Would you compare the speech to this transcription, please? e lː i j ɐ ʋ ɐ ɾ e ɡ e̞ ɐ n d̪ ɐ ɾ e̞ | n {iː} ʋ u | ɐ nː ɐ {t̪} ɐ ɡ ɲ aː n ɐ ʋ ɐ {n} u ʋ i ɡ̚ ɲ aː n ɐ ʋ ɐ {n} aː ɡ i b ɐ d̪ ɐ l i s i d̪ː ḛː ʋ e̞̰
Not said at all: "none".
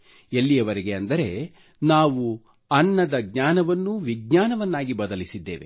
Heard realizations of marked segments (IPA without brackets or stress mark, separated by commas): aː, d̪, nː, nː